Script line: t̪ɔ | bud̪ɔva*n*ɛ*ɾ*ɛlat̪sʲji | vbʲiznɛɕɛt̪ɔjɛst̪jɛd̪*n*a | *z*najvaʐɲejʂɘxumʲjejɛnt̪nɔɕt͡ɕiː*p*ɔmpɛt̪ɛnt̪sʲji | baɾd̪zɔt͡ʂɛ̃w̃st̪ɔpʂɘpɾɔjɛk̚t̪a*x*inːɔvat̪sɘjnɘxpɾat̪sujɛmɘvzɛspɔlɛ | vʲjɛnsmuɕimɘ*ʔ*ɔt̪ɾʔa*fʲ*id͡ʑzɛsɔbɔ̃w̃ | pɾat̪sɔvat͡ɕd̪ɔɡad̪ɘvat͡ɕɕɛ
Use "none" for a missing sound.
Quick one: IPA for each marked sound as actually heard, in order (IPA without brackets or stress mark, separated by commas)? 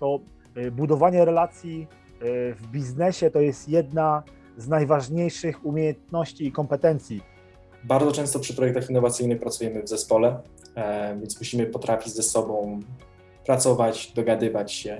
ɲ, ɾ, n, z, k, x, p, fʲ